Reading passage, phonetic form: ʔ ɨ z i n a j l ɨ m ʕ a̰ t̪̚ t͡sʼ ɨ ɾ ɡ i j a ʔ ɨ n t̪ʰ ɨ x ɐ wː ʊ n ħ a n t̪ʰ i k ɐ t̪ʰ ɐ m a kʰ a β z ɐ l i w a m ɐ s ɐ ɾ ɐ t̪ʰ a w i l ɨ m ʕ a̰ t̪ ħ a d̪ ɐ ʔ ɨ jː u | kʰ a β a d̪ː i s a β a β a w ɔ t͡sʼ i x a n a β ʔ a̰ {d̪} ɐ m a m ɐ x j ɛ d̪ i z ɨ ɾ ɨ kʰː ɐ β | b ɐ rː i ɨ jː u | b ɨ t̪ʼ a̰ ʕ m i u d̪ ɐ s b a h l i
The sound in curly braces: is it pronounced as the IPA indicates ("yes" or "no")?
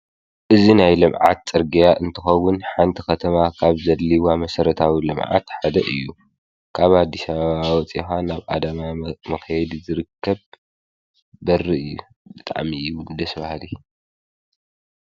yes